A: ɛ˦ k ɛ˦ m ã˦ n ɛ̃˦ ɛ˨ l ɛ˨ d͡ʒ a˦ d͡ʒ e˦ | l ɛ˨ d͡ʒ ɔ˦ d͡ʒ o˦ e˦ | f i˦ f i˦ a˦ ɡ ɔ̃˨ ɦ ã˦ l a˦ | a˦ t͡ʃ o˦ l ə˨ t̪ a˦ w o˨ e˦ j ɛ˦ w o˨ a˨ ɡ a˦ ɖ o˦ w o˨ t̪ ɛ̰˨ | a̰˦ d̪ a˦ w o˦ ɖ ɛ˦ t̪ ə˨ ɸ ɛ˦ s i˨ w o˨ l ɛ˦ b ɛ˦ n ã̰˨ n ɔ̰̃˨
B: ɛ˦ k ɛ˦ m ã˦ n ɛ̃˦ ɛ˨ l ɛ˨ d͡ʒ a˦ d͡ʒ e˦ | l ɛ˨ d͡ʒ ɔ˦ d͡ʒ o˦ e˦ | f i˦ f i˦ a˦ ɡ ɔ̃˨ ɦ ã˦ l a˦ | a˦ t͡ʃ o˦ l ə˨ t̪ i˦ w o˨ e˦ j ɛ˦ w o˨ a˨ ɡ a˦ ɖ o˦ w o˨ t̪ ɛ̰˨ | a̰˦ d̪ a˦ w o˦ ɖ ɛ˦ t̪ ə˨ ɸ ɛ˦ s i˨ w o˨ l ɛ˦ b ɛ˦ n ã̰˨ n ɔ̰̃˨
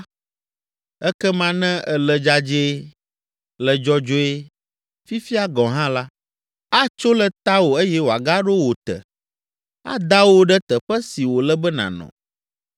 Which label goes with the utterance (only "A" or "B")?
A